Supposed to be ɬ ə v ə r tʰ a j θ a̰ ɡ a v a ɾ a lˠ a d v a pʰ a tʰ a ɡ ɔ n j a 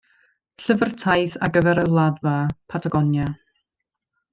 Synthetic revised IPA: ɬ ə v ə r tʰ a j θ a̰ ɡ ə v ɛ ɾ ə lˠ a d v a pʰ a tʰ a ɡ ɔ n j a